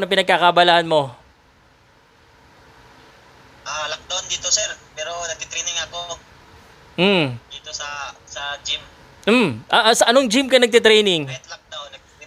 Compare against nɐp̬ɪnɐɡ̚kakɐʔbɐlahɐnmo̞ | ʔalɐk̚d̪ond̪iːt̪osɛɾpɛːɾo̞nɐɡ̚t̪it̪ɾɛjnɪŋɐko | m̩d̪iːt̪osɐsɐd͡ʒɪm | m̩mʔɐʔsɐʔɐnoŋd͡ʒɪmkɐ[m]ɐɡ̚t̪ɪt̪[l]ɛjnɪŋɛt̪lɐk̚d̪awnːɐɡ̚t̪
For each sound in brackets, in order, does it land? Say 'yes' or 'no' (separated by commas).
no, no